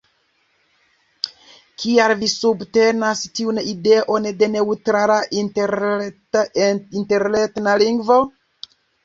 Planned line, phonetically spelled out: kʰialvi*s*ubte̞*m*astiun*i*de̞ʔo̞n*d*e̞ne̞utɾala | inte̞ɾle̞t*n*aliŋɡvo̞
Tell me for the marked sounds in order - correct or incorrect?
correct, incorrect, correct, correct, correct

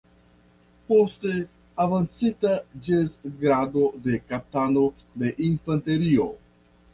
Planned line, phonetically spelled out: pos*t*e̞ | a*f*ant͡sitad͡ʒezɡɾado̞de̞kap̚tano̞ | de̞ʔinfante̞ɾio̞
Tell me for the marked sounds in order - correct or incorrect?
correct, incorrect

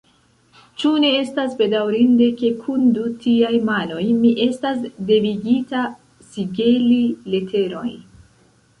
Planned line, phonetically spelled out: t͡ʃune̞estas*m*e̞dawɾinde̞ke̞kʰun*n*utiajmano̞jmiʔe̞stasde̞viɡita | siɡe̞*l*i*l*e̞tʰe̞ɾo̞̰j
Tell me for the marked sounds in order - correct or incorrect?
incorrect, incorrect, correct, correct

